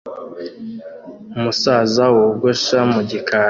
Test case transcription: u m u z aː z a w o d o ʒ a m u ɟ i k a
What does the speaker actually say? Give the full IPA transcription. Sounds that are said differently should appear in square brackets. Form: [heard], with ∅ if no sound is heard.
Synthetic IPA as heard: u m u [s] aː z a w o [ɡ] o [ʃ] a m u ɟ i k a